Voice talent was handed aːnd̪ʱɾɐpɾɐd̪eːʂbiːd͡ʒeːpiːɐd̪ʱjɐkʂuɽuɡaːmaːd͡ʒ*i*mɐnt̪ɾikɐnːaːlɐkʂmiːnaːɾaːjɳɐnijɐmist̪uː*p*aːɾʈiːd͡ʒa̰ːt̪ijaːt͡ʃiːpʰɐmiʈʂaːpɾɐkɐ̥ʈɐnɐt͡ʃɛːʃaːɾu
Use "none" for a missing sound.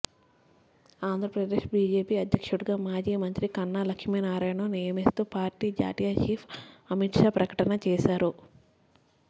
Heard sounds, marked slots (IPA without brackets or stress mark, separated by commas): iː, p